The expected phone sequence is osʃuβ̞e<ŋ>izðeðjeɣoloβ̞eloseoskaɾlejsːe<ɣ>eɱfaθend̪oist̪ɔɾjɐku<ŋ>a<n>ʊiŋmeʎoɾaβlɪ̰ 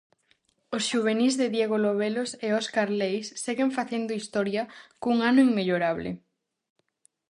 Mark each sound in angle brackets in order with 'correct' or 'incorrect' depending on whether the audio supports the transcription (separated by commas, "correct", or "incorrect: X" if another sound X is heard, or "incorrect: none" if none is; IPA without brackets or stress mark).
incorrect: n, correct, correct, correct